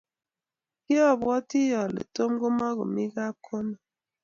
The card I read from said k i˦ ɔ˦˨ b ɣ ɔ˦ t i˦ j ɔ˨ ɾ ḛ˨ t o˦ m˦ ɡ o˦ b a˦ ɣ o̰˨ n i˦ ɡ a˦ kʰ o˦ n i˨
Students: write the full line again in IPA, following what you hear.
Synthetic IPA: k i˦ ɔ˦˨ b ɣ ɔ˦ t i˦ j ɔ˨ l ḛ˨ t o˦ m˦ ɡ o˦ m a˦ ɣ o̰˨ m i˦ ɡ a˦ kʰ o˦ n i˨